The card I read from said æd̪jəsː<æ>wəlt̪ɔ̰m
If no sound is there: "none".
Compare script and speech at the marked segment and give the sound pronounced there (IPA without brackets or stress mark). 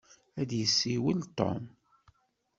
i